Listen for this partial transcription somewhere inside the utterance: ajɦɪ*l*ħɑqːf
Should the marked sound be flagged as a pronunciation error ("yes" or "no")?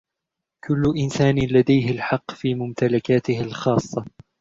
no